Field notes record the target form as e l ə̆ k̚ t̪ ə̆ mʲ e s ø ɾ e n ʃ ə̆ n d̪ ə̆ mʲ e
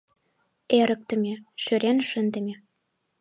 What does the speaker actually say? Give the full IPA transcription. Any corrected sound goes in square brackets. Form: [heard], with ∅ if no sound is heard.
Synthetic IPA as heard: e [ɾ] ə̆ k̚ t̪ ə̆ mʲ e [ʃ] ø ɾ e n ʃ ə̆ n d̪ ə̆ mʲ e